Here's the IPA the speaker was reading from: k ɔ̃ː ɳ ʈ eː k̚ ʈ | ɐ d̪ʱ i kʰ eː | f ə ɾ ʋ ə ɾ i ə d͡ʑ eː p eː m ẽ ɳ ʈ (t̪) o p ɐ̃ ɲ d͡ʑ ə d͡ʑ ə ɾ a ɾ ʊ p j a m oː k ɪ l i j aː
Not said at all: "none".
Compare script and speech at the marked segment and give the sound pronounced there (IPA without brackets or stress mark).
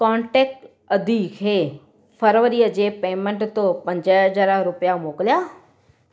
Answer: t̪